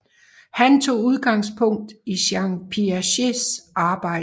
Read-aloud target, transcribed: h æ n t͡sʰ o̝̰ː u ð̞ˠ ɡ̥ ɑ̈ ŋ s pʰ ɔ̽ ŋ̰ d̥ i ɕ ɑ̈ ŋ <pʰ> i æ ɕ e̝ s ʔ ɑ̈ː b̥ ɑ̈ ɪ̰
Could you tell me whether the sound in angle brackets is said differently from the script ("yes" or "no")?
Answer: no